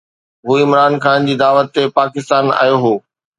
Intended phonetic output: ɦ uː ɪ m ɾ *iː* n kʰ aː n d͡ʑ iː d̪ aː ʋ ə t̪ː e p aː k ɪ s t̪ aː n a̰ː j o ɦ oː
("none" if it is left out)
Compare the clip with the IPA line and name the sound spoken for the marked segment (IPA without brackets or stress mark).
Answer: aː